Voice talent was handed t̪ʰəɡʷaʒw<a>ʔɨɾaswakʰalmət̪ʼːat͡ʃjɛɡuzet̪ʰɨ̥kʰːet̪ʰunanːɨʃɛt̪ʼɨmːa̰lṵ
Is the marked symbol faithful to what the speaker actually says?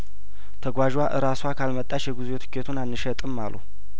yes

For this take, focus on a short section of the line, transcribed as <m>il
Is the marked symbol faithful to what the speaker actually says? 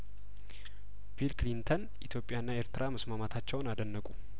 no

